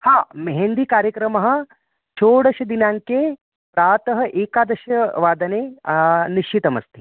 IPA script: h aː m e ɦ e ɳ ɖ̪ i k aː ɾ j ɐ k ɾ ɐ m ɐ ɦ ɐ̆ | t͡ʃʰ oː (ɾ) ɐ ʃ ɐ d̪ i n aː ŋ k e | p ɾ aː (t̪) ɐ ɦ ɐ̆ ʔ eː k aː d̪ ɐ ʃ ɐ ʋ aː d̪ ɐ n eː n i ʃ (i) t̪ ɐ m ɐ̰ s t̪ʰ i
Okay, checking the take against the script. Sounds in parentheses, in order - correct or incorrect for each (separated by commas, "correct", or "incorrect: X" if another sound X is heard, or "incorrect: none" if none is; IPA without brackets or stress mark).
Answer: incorrect: ɽ, correct, correct